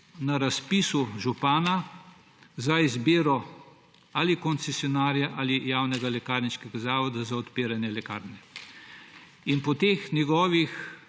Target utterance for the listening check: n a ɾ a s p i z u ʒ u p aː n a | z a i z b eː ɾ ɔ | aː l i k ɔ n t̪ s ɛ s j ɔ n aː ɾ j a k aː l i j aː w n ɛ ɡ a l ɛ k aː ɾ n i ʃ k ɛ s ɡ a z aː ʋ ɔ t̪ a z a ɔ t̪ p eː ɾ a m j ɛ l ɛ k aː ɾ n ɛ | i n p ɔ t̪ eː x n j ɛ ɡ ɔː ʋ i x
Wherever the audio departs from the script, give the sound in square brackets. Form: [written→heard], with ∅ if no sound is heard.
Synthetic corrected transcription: n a ɾ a s p i [z→s] u ʒ u p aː n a | z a i z b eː ɾ ɔ | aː l i k ɔ n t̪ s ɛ s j ɔ n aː ɾ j a [k→ʔ] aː l i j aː w n ɛ ɡ a l ɛ k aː ɾ n i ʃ k ɛ [s→∅] ɡ a z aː ʋ ɔ [t̪→d̪] a z a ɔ t̪ p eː ɾ a [m→n] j ɛ l ɛ k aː ɾ n ɛ | i n p ɔ t̪ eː x n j ɛ ɡ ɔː ʋ i x